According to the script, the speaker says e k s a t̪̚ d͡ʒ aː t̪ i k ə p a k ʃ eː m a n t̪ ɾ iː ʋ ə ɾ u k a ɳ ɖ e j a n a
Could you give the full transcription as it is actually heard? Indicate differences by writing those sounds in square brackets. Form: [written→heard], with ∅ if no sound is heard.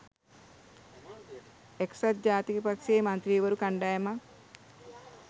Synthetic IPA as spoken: e k s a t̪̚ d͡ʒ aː t̪ i k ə p a k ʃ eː m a n t̪ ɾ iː ʋ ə ɾ u k a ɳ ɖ [e→a] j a [n→m] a